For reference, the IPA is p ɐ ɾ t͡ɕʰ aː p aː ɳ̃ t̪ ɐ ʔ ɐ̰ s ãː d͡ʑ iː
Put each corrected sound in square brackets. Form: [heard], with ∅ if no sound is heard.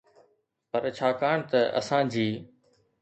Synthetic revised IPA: p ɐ ɾ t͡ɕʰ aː [k] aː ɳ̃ t̪ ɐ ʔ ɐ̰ s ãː d͡ʑ iː